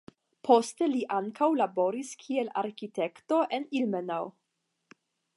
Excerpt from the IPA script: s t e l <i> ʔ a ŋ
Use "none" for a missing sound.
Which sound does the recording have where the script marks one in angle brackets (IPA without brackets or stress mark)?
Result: i